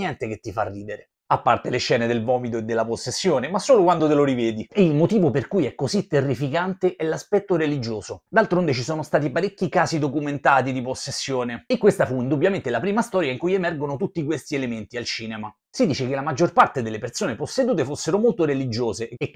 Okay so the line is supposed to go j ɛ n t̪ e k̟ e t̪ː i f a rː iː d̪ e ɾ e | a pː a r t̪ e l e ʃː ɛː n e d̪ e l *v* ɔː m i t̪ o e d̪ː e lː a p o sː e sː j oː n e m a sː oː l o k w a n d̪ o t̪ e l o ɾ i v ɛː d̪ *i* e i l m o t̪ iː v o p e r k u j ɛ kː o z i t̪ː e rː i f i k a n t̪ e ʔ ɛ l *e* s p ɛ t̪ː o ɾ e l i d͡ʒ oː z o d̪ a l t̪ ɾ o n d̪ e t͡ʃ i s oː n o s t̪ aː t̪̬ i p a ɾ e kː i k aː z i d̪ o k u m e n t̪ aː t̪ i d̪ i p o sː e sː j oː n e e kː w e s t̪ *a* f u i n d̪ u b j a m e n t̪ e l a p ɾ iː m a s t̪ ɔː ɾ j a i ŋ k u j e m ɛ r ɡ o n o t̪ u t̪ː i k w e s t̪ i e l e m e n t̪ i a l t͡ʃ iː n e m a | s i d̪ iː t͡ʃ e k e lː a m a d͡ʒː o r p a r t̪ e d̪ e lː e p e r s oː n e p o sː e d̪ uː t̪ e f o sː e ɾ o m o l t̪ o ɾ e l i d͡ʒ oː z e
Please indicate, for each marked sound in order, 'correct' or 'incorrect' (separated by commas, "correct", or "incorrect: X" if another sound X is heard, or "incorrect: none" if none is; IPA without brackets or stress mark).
correct, correct, incorrect: a, correct